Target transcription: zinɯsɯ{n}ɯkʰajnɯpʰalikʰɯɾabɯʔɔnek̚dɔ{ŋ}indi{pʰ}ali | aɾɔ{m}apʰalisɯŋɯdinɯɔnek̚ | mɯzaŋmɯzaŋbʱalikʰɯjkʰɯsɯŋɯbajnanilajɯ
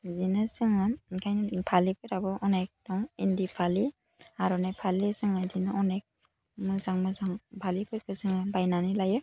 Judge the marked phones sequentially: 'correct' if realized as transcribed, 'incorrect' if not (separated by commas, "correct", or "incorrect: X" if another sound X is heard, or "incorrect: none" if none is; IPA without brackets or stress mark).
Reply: incorrect: ŋ, correct, correct, incorrect: n